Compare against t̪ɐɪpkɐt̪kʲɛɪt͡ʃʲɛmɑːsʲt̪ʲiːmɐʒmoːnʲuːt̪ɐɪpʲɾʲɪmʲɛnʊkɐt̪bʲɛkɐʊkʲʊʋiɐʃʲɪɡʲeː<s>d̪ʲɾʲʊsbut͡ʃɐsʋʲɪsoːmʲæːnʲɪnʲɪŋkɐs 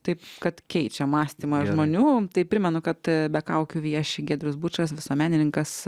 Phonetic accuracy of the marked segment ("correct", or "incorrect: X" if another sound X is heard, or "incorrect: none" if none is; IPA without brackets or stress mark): incorrect: none